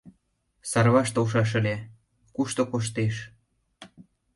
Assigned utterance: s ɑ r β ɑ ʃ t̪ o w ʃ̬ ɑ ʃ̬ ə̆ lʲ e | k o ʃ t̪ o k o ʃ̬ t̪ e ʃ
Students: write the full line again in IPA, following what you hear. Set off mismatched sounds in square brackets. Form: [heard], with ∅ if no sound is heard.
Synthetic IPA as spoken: s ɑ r β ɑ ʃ t̪ o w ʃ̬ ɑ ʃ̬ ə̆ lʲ e | k [u] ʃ t̪ o k o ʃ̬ t̪ e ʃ